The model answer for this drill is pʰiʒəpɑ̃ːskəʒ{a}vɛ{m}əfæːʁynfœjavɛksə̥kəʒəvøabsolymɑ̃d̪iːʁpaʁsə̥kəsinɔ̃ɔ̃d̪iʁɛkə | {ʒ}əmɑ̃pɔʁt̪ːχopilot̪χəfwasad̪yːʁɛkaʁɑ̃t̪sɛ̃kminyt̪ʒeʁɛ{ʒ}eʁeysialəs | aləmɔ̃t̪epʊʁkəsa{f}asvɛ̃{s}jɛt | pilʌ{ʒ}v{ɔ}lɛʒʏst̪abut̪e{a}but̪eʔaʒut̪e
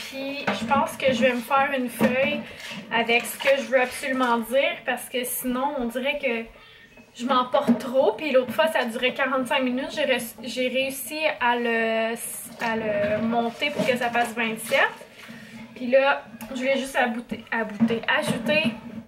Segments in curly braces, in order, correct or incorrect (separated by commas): incorrect, correct, correct, correct, correct, correct, correct, incorrect, correct